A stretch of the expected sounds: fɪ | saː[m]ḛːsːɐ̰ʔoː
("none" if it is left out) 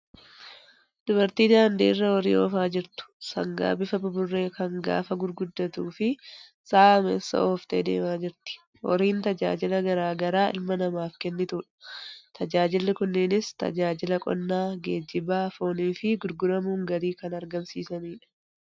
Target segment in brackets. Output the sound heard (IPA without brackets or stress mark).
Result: m